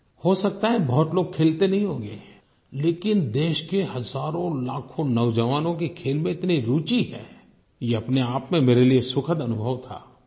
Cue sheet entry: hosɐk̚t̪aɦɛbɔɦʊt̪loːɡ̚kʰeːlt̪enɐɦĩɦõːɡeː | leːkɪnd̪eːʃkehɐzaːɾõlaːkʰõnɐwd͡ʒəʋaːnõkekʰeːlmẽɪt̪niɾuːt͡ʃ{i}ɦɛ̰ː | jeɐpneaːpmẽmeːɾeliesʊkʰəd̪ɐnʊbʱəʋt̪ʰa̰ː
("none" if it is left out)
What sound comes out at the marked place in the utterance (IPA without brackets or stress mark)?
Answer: i